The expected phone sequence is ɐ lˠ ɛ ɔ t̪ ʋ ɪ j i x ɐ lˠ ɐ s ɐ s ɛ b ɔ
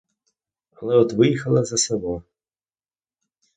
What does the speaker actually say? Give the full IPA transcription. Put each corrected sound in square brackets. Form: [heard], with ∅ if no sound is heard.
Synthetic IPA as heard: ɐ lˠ ɛ ɔ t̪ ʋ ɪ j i x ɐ lˠ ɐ [z] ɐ s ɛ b ɔ